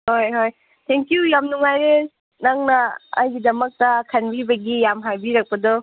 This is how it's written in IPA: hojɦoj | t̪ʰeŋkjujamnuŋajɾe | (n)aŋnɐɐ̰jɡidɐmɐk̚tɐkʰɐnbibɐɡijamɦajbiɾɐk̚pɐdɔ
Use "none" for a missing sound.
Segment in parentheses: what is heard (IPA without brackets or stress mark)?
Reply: n